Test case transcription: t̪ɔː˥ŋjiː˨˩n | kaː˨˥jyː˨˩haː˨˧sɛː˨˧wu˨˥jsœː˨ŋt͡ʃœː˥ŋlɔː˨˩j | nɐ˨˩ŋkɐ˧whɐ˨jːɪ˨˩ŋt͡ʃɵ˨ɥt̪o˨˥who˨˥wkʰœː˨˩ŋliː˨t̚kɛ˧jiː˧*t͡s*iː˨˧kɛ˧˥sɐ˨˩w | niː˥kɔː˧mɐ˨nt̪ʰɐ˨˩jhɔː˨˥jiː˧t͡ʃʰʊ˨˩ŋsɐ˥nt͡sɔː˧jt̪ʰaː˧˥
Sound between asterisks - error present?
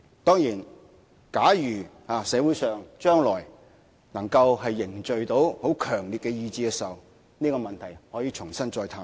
no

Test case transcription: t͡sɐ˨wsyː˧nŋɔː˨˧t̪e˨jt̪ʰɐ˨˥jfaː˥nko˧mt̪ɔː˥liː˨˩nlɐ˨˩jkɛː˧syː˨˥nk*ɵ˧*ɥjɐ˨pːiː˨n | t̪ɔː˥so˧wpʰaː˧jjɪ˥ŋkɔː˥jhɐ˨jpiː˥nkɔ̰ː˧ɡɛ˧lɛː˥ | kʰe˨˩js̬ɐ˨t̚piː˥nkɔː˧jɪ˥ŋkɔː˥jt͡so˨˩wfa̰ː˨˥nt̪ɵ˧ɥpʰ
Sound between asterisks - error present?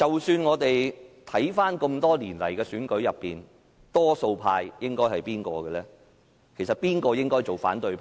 yes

